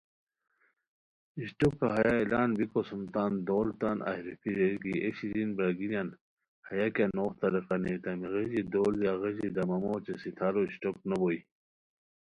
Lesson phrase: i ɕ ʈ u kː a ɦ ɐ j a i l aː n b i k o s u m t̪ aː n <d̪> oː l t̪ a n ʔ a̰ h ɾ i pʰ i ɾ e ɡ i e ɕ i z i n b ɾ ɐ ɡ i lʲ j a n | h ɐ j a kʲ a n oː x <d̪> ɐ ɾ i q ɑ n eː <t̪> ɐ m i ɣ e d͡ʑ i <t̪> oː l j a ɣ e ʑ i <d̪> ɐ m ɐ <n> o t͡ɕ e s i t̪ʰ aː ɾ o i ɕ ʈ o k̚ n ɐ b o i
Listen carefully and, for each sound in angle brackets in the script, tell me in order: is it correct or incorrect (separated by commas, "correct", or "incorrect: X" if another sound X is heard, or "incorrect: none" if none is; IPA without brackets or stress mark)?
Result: correct, incorrect: t̪, correct, incorrect: d̪, correct, incorrect: m